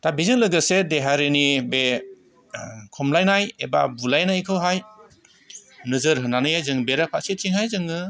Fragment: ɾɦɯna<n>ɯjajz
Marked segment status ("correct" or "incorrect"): correct